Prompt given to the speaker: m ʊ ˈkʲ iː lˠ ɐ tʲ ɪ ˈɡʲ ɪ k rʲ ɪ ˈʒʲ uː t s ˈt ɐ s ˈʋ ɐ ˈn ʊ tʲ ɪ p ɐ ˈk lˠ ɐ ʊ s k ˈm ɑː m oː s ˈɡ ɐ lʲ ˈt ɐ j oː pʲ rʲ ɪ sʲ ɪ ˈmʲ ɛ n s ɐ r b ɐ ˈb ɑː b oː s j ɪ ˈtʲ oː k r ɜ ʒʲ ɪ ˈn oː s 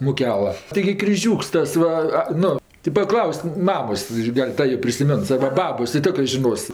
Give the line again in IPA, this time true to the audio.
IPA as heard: m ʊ ˈkʲ æː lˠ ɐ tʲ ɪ ˈɡʲ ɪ k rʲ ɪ ˈʒʲ uː k s ˈt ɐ s ˈʋ ɐ ˈn ʊ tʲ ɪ p ɐ ˈk lˠ ɐ ʊ s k ˈm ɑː m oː s ˈɡ ɐ lʲ ˈt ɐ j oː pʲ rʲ ɪ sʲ ɪ ˈmʲ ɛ n s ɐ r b ɐ ˈb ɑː b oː s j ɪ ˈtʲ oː k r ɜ ʒʲ ɪ ˈn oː s